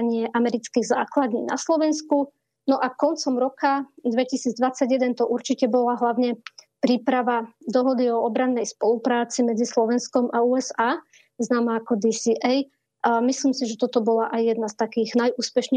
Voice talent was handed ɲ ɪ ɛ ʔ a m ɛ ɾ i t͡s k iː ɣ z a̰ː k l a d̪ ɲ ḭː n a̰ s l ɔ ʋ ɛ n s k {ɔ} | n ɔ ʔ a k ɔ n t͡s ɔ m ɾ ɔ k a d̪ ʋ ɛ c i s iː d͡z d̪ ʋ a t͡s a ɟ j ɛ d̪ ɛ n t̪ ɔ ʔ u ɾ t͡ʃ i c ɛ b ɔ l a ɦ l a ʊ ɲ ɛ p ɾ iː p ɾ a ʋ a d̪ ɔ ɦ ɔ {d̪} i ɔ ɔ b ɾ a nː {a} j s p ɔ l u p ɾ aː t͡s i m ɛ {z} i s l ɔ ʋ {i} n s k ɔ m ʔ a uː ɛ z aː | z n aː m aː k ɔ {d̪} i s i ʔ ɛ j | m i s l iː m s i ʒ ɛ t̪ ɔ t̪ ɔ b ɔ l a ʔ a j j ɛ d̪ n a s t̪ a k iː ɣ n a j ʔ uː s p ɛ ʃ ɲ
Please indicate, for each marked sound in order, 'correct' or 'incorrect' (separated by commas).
incorrect, correct, incorrect, incorrect, incorrect, correct